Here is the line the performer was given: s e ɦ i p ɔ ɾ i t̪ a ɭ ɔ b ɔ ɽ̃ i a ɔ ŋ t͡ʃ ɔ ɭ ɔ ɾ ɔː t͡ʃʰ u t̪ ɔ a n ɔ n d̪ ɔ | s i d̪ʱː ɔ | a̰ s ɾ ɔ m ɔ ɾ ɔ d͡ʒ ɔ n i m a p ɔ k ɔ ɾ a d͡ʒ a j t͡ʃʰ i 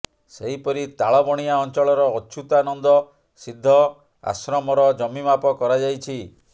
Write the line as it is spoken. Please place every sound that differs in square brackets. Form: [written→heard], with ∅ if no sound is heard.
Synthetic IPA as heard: s e ɦ i p ɔ ɾ i t̪ a ɭ ɔ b ɔ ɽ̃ i a ɔ [ŋ→n] t͡ʃ ɔ ɭ ɔ ɾ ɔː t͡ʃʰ u t̪ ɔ a n ɔ n d̪ ɔ | s i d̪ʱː ɔ | a̰ s ɾ ɔ m ɔ ɾ ɔ d͡ʒ ɔ [n→m] i m a p ɔ k ɔ ɾ a d͡ʒ a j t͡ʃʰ i